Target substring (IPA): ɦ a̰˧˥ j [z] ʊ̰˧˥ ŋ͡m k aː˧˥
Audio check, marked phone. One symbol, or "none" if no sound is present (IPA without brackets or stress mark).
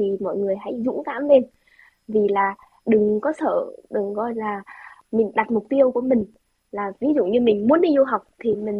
z